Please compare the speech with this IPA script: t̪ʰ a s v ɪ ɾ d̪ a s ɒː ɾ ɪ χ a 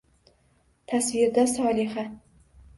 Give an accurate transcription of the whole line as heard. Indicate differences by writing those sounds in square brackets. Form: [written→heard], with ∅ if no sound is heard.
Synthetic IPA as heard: t̪ʰ a s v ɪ ɾ d̪ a s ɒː [ɾ→l] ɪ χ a